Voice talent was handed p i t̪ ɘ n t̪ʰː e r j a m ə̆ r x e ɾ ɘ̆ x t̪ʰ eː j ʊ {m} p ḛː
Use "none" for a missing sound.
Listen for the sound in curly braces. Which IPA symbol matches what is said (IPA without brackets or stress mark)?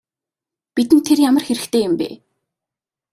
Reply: m